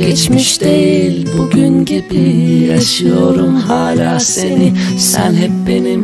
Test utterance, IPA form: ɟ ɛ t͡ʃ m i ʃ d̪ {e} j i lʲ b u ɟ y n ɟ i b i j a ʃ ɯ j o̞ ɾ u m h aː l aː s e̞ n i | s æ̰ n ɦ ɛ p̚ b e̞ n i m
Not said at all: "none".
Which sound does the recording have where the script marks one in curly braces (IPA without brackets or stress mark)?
e